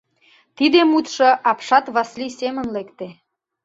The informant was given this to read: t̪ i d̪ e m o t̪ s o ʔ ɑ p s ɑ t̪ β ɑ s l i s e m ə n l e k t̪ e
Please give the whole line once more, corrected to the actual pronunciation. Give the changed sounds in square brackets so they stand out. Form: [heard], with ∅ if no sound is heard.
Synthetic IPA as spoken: t̪ i d̪ e m [u] t̪ [ʃ] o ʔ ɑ p [ʃ] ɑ t̪ β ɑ s l i s e m ə n l e k t̪ e